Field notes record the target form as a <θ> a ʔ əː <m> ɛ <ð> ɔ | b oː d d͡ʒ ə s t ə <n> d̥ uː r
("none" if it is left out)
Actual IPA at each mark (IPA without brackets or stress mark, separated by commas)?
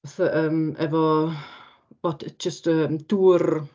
θ, m, v, m